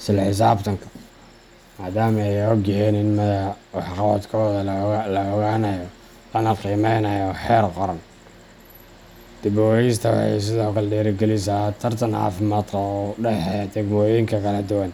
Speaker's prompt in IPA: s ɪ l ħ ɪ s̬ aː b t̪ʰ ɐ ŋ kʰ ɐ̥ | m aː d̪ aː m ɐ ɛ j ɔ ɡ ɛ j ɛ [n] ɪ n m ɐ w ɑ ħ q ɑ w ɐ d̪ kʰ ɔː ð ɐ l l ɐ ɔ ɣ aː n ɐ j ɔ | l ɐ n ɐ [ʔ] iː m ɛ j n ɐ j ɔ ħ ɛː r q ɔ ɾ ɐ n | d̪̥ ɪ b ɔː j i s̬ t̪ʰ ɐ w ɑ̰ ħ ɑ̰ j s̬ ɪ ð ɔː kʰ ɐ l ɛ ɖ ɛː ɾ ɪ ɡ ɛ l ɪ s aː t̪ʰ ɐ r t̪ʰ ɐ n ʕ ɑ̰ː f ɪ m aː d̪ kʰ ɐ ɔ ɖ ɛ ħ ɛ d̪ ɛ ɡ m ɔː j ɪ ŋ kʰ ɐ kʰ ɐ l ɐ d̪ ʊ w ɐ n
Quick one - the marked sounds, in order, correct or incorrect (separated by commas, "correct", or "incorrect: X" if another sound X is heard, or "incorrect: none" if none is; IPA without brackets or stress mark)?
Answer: correct, incorrect: q